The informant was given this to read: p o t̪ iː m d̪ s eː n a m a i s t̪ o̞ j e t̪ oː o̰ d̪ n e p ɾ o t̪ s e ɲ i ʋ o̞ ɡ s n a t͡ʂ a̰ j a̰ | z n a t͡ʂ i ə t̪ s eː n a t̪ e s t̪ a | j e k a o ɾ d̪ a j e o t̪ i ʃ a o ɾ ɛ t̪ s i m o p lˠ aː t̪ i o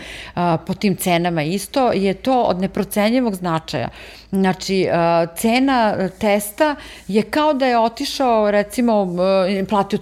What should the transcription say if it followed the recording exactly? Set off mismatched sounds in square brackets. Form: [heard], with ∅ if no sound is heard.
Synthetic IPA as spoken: p o t̪ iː m [t̪] s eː n a m a i s t̪ o̞ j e t̪ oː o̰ d̪ n e p ɾ o t̪ s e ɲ i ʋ o̞ ɡ [z] n a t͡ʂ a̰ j a̰ | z n a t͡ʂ i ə t̪ s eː n a t̪ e s t̪ a | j e k a o [∅] d̪ a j e o t̪ i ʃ a o ɾ ɛ t̪ s i m o p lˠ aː t̪ i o